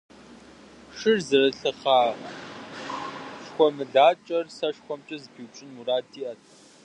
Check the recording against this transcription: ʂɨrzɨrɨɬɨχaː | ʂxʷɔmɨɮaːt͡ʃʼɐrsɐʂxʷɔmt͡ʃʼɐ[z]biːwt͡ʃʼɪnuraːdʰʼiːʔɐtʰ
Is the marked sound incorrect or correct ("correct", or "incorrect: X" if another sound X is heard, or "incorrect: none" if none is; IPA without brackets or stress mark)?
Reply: correct